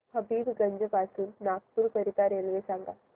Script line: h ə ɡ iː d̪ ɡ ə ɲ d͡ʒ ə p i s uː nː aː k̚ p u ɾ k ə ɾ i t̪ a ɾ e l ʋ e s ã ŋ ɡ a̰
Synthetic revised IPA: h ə b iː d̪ ɡ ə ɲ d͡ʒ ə p a s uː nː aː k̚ p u ɾ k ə ɾ i t̪ a ɾ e l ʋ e s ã ŋ ɡ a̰